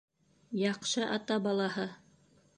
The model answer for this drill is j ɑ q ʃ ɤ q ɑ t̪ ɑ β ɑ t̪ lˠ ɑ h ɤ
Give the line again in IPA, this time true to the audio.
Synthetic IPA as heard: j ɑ q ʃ ɤ ʔ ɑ t̪ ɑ b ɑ lˠ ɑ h ɤ